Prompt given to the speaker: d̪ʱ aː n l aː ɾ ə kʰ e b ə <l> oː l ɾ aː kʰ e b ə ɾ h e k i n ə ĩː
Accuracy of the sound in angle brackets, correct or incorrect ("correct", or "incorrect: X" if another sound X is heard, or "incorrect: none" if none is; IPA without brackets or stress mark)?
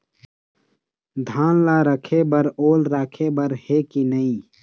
incorrect: ɾ